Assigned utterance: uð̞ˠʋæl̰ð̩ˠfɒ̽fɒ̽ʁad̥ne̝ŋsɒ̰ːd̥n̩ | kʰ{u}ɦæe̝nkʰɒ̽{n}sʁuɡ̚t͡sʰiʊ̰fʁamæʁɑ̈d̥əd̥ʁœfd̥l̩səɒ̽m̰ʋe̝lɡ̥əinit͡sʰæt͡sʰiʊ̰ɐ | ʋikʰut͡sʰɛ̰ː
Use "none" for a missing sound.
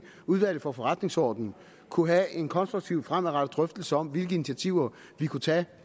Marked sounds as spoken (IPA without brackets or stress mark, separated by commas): u, n